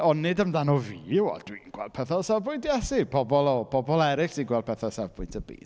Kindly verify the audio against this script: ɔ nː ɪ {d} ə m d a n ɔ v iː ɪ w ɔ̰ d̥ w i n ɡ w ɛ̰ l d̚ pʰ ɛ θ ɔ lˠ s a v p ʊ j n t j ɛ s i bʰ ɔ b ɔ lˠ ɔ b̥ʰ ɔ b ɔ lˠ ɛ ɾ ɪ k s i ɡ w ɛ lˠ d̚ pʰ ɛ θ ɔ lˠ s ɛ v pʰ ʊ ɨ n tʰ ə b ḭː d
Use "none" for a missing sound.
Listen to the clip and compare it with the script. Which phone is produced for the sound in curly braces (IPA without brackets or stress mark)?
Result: d